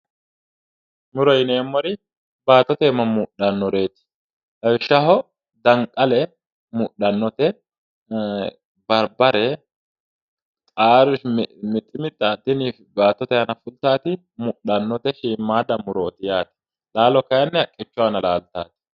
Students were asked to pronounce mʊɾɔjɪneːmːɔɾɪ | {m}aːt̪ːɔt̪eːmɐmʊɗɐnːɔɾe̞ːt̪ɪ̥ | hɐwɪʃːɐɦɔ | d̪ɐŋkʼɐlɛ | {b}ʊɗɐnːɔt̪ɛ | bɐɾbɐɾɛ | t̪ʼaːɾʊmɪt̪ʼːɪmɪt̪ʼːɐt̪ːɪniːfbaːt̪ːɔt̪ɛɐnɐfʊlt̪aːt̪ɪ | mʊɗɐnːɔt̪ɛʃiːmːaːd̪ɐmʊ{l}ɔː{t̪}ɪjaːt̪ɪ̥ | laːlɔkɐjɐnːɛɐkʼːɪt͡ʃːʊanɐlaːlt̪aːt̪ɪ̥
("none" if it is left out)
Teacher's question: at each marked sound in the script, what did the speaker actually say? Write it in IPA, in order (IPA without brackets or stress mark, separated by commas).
b, m, ɾ, t̪